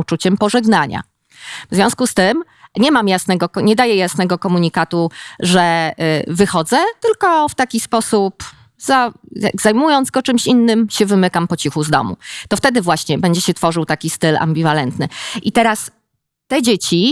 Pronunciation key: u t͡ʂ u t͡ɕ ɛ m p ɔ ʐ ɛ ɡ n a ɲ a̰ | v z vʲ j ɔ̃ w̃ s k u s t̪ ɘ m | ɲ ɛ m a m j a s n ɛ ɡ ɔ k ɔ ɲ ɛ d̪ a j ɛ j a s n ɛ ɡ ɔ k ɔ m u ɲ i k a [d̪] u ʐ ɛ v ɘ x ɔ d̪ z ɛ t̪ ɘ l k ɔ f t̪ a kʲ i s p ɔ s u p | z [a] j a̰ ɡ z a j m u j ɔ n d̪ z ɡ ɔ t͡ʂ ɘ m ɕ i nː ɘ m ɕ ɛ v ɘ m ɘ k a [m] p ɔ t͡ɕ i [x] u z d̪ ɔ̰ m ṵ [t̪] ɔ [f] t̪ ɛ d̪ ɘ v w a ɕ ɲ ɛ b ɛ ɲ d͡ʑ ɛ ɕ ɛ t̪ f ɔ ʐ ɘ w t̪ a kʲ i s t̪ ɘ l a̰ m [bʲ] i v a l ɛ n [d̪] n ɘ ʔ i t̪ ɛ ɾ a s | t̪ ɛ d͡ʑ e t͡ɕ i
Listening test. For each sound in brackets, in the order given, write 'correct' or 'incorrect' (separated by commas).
incorrect, correct, correct, correct, correct, correct, correct, incorrect